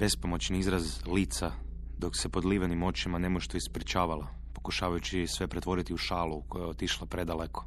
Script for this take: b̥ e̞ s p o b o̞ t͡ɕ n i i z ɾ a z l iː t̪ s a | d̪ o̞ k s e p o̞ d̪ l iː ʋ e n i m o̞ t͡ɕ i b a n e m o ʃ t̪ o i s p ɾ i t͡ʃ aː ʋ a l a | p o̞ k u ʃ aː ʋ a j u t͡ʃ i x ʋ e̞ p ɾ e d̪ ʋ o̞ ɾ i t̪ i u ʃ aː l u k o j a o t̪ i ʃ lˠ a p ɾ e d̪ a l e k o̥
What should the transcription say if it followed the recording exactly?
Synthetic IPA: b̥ e̞ s p o m o̞ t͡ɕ n i i z ɾ a z l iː t̪ s a | d̪ o̞ k s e p o̞ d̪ l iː ʋ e n i m o̞ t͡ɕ i m a n e m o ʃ t̪ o i s p ɾ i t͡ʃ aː ʋ a l a | p o̞ k u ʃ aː ʋ a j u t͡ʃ i s ʋ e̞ p ɾ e t̪ ʋ o̞ ɾ i t̪ i u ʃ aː l u k o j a o t̪ i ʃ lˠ a p ɾ e d̪ a l e k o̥